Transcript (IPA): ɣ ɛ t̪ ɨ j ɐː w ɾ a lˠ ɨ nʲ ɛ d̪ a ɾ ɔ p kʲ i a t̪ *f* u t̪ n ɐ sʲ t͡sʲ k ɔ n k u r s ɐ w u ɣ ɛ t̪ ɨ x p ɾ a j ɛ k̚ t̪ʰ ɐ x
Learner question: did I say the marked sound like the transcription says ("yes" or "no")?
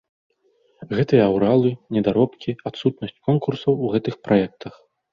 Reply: no